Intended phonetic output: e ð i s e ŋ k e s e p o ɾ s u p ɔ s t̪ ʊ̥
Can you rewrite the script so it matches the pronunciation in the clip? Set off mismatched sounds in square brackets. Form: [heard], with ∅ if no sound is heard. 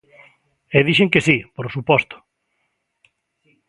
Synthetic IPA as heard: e ð i [ʃ] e ŋ k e s [i] p o ɾ s u p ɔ s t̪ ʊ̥